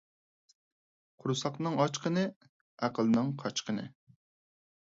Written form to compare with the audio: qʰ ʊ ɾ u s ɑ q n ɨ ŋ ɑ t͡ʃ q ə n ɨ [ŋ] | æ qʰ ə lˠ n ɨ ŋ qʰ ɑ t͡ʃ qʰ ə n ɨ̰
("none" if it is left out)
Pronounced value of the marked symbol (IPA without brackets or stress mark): none